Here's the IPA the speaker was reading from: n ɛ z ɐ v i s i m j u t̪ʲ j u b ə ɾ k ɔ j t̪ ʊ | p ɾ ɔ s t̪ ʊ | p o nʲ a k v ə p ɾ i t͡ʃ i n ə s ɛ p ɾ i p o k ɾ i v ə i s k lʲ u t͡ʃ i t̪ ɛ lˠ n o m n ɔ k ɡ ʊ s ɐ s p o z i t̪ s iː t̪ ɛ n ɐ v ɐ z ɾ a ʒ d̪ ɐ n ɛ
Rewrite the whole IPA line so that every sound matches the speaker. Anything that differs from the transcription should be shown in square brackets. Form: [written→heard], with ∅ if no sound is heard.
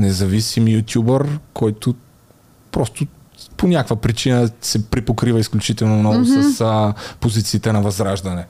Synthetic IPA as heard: n ɛ z ɐ v i s i m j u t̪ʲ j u b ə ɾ k ɔ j t̪ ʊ | p ɾ ɔ s t̪ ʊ | p o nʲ a k v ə p ɾ i t͡ʃ i n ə s ɛ p ɾ i p o k ɾ i v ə i s k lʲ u t͡ʃ i t̪ ɛ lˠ n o m n ɔ [k→∅] ɡ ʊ s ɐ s p o z i t̪ s iː t̪ ɛ n ɐ v ɐ z ɾ a ʒ d̪ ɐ n ɛ